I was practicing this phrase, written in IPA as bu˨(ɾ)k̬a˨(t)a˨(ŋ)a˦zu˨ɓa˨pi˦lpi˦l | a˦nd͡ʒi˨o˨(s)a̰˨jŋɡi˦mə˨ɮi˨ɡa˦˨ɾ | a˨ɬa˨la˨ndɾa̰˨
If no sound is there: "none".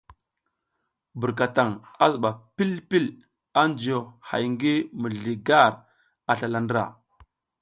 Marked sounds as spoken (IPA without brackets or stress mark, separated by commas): ɾ, t, ŋ, h